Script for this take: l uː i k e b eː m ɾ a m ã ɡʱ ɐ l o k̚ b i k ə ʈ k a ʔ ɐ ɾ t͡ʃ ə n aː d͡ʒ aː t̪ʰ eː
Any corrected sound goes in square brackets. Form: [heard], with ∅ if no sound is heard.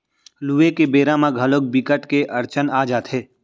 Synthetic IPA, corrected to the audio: l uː [e] k e b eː [∅] ɾ a m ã ɡʱ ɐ l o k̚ b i k ə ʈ k [e] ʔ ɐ ɾ t͡ʃ ə n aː d͡ʒ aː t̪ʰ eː